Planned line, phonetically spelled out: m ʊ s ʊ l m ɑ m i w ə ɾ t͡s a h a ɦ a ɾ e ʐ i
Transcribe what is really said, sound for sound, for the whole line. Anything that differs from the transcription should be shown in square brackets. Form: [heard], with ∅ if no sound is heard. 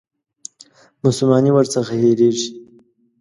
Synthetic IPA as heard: m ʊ s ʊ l m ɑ [n] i w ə ɾ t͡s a [x] a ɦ [e] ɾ e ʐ i